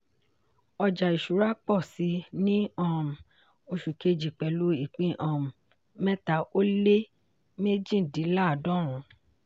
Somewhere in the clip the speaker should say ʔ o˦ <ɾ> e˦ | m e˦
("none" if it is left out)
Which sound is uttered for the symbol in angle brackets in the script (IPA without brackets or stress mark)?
l